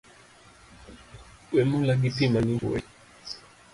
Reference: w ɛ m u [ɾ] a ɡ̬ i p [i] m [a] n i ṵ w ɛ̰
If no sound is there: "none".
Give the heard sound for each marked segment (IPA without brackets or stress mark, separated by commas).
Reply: l, i, a